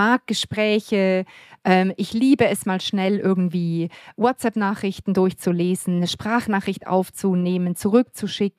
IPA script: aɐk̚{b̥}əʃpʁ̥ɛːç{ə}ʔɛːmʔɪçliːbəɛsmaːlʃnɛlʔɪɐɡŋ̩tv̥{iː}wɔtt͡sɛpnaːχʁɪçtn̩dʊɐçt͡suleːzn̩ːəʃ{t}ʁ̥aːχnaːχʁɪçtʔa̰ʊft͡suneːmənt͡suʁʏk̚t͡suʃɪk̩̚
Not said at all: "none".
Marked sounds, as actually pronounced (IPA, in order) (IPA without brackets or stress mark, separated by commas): ɡ̥, ə, iː, p